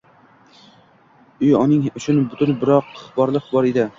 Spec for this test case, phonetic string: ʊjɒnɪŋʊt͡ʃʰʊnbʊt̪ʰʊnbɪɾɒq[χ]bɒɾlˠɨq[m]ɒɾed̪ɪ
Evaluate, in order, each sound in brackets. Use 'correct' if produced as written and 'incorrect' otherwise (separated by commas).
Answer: correct, incorrect